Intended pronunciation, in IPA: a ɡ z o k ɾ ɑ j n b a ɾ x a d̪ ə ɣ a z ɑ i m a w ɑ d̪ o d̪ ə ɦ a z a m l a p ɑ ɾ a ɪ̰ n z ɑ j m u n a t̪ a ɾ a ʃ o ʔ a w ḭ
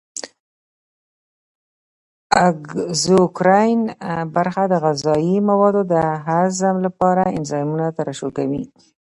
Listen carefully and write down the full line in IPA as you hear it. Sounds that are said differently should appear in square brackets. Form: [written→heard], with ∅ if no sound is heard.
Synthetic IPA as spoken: a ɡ z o k ɾ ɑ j n b a ɾ x a d̪ ə ɣ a z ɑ i m a w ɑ d̪ o d̪ ə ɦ a z a m l a p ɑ ɾ a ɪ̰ n z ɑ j m u n a t̪ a ɾ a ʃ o [ʔ→k] a w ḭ